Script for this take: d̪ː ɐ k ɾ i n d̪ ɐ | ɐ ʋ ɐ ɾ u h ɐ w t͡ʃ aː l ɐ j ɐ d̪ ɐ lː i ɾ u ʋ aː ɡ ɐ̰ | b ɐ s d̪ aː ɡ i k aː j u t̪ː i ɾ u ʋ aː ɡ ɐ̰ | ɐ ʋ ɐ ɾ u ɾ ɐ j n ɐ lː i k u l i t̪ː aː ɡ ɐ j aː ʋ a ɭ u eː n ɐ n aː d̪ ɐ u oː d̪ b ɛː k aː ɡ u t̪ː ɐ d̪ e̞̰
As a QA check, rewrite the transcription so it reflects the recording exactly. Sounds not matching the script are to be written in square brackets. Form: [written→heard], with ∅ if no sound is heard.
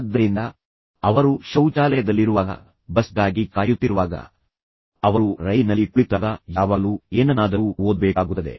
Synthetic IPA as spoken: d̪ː ɐ [k→∅] ɾ i n d̪ ɐ | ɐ ʋ ɐ ɾ u [h→ʃ] ɐ w t͡ʃ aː l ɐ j ɐ d̪ ɐ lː i ɾ u ʋ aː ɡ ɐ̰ | b ɐ s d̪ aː ɡ i k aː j u t̪ː i ɾ u ʋ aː ɡ ɐ̰ | ɐ ʋ ɐ ɾ u ɾ ɐ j n ɐ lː i k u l i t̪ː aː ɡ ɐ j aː ʋ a [ɭ→l] u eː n ɐ n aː d̪ ɐ u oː d̪ b ɛː k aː ɡ u t̪ː ɐ d̪ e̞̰